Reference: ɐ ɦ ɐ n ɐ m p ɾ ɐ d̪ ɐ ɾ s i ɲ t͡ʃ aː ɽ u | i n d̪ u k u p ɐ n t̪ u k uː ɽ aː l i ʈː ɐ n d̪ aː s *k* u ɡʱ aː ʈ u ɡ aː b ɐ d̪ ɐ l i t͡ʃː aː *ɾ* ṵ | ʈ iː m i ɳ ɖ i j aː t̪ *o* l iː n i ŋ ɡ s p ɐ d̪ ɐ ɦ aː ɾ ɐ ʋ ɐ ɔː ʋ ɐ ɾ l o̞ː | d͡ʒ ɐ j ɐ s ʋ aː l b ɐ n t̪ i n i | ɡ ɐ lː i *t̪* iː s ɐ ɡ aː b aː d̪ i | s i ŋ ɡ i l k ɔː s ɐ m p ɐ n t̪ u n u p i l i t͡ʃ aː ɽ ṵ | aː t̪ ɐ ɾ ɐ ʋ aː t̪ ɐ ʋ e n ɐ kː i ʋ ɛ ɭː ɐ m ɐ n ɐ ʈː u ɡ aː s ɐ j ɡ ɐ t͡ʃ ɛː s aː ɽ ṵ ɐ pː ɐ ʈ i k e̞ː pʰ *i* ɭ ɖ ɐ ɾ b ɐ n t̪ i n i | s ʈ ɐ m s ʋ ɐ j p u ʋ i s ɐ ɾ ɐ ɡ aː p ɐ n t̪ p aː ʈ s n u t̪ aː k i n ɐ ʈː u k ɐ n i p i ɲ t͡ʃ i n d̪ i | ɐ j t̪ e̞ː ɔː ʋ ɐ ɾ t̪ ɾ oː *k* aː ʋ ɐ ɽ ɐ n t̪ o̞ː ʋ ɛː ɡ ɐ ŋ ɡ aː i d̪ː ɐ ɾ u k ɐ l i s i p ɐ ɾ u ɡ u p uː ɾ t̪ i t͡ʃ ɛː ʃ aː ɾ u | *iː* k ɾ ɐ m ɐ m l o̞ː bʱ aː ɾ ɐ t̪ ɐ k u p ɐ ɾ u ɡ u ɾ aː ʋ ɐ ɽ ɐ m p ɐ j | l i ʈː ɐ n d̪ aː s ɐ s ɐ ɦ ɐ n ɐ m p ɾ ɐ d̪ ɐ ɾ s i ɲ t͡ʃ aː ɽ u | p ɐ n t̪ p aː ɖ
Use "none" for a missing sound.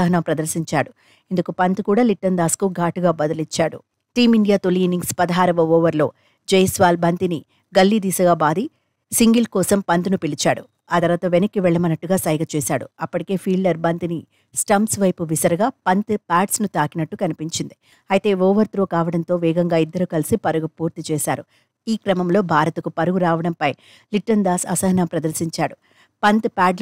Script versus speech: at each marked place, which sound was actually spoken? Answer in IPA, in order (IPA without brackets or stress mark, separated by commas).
k, ɽ, o, d̪, iː, k, iː